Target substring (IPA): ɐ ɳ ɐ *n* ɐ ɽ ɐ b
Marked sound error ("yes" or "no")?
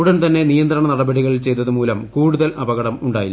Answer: no